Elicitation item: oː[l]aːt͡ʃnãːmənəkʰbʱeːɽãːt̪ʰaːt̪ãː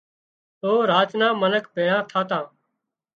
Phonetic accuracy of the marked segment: incorrect: ɾ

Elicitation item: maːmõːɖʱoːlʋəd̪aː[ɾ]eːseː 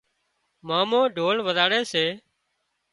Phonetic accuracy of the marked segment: incorrect: ɽ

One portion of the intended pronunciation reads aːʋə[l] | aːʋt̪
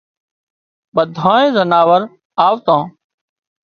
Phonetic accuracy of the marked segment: incorrect: ɾ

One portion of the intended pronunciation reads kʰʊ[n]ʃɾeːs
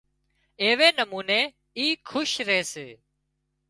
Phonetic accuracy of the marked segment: incorrect: none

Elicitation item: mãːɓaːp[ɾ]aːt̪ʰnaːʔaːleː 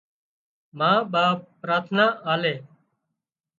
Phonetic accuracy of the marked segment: correct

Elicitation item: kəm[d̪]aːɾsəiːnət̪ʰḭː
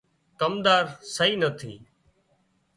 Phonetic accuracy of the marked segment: correct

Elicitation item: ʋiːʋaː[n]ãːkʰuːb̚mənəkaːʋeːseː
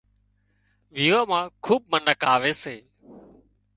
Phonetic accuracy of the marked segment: incorrect: m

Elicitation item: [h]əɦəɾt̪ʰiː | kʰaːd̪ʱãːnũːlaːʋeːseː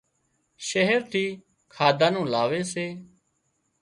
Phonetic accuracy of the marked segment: incorrect: ʃ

